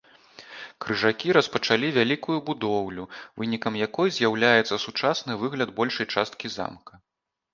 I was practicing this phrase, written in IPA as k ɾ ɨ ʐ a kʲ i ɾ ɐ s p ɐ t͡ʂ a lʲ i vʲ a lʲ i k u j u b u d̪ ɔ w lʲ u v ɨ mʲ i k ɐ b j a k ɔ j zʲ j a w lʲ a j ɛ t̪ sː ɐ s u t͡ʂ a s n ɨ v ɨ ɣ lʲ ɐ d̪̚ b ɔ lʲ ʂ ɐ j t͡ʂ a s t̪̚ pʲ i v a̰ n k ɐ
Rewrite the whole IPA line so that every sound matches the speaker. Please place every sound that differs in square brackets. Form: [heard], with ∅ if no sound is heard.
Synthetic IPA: k ɾ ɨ ʐ a kʲ i ɾ ɐ s p ɐ t͡ʂ a lʲ i vʲ a lʲ i k u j u b u d̪ ɔ w lʲ u v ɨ [nʲ] i k ɐ [m] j a k ɔ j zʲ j a w lʲ a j ɛ t̪ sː ɐ s u t͡ʂ a s n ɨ v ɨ ɣ lʲ ɐ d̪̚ b ɔ lʲ ʂ ɐ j t͡ʂ a s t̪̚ [kʲ] i [z] a̰ [m] k ɐ

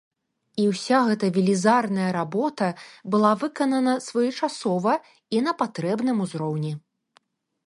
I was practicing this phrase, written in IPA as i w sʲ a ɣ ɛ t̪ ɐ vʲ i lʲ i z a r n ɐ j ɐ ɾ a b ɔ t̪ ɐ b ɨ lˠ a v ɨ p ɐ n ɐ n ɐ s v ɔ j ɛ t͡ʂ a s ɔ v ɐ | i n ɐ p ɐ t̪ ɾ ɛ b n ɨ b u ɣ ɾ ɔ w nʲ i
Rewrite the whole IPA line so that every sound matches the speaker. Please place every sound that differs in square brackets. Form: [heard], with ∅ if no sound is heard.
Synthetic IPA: i w sʲ a ɣ ɛ t̪ ɐ vʲ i lʲ i z a r n ɐ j ɐ ɾ a b ɔ t̪ ɐ b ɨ lˠ a v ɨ [k] ɐ n ɐ n ɐ s v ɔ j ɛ t͡ʂ a s ɔ v ɐ | i n ɐ p [a] t̪ ɾ ɛ b n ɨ [m] u [z] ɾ ɔ w nʲ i

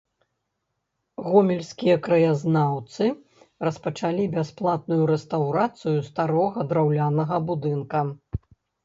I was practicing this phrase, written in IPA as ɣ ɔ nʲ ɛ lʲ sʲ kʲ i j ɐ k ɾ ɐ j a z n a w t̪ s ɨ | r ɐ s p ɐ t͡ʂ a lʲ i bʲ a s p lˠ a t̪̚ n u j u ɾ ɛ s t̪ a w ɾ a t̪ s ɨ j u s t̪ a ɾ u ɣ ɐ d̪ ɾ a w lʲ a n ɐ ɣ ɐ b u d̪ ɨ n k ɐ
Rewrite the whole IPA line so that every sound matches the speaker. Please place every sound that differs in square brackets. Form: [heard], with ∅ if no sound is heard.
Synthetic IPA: ɣ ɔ [mʲ] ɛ lʲ sʲ kʲ i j ɐ k ɾ ɐ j a z n a w t̪ s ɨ | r ɐ s p ɐ t͡ʂ a lʲ i bʲ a s p lˠ a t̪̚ n u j u ɾ ɛ s t̪ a w ɾ a t̪ s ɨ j u s t̪ a ɾ [ɔ] ɣ ɐ d̪ ɾ a w lʲ a n ɐ ɣ ɐ b u d̪ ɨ n k ɐ

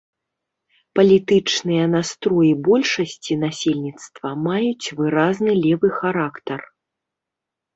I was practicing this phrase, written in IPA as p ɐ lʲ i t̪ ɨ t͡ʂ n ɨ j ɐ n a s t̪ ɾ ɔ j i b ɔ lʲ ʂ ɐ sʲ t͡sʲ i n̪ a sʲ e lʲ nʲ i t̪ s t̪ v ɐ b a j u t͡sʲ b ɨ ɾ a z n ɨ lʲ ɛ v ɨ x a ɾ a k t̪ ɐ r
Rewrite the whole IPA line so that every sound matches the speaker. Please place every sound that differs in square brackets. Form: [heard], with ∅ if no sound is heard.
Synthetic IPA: p ɐ lʲ i t̪ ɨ t͡ʂ n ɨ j ɐ n a s t̪ ɾ ɔ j i b ɔ lʲ ʂ ɐ sʲ t͡sʲ i n̪ a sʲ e lʲ nʲ i t̪ s t̪ v ɐ [m] a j u t͡sʲ [v] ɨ ɾ a z n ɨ lʲ ɛ v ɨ x a ɾ a k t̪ ɐ r

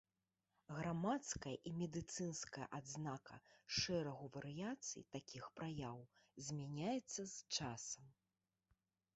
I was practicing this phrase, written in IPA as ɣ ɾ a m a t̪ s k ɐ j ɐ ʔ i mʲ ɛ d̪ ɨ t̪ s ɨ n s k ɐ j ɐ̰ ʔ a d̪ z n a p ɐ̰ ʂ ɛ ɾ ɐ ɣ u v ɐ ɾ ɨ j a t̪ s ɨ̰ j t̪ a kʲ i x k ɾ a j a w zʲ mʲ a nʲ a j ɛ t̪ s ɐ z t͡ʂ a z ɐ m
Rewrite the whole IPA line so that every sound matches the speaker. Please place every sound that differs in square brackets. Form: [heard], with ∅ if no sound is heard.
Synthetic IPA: ɣ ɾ a m a t̪ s k ɐ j ɐ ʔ i mʲ ɛ d̪ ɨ t̪ s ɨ n s k ɐ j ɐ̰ ʔ a d̪ z n a [k] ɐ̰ ʂ ɛ ɾ ɐ ɣ u v ɐ ɾ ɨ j a t̪ s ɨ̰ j t̪ a kʲ i x [p] ɾ a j a w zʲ mʲ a nʲ a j ɛ t̪ [sː] ɐ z t͡ʂ a [s] ɐ m

